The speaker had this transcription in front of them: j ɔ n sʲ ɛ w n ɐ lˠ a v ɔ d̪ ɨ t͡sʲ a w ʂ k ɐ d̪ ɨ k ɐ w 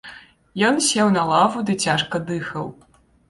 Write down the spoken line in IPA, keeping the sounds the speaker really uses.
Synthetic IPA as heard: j ɔ n sʲ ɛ w n ɐ lˠ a v u d̪ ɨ t͡sʲ a ʂ k ɐ d̪ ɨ x ɐ w

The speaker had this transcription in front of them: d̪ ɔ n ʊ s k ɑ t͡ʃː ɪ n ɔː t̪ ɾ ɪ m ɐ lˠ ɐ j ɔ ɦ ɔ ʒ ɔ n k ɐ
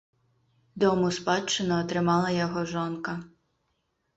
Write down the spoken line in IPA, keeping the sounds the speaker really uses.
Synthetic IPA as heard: d̪ ɔ m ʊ s p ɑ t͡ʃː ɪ n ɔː t̪ ɾ ɪ m ɑ lˠ ɐ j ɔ ɦ ɔ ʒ ɔ n k ɐ

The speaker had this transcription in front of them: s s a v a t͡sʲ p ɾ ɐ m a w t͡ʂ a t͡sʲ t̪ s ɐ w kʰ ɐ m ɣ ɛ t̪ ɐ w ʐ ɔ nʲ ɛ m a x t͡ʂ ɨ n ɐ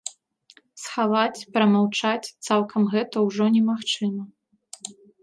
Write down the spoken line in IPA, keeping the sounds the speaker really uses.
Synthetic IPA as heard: s x a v a t͡sʲ p ɾ ɐ m a w t͡ʂ a t͡sʲ t̪ s a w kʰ ɐ m ɣ ɛ t̪ ɐ w ʐ ɔ nʲ ɛ m a x t͡ʂ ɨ m ɐ

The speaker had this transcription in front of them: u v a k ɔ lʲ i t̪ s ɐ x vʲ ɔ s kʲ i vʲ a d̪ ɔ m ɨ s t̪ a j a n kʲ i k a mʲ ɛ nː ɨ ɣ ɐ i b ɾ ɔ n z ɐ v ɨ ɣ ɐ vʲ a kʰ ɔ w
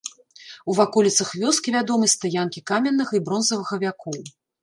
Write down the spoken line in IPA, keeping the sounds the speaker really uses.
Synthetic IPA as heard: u v a k ɔ lʲ i t̪ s ɐ x vʲ ɔ s kʲ i vʲ a d̪ ɔ m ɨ s t̪ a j a n kʲ i k a mʲ ɛ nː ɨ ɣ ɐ i b ɾ ɔ n z ɐ v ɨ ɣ ɐ vʲ a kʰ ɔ w

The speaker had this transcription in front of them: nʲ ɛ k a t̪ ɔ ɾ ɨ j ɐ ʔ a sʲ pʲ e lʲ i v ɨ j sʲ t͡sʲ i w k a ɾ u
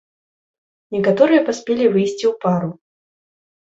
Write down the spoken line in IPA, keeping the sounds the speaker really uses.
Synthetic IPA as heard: nʲ ɛ k a t̪ ɔ ɾ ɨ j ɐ p a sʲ pʲ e lʲ i v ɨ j sʲ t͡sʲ i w p a ɾ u

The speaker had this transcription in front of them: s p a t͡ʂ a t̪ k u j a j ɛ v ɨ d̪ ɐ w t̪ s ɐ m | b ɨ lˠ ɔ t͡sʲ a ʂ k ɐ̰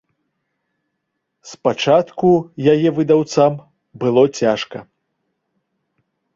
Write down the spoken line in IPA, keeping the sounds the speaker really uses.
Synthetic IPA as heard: s p a t͡ʂ a t̪ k u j a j ɛ v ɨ d̪ a w t̪ s a m | b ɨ lˠ ɔ t͡sʲ a ʂ k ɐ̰

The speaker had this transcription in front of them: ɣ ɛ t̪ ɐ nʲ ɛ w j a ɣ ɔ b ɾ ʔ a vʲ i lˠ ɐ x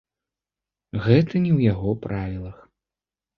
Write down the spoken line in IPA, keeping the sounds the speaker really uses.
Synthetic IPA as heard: ɣ ɛ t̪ ɐ nʲ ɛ w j a ɣ ɔ p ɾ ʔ a vʲ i lˠ ɐ x

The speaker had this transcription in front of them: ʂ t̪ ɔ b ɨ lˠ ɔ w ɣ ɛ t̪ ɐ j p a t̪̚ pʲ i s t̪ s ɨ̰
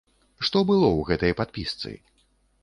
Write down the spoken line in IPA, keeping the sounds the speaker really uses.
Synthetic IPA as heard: ʂ t̪ ɔ b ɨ lˠ ɔ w ɣ ɛ t̪ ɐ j p a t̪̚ pʲ i s t̪ s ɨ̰

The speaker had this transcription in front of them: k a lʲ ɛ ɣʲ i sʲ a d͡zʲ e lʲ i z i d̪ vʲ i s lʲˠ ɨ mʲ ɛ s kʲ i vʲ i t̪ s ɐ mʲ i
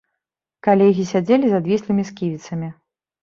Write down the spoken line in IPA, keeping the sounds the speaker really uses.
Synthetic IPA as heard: k a lʲ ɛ ɣʲ i sʲ a d͡zʲ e lʲ i z a d̪ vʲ i s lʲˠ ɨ mʲ i s kʲ i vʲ i t̪ s ɐ mʲ i

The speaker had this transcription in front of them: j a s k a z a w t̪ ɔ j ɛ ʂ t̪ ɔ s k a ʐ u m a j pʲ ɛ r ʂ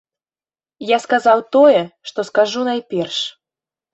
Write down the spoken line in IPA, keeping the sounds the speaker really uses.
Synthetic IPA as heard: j a s k a z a w t̪ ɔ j ɛ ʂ t̪ ɔ s k a ʐ u n a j pʲ ɛ r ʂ

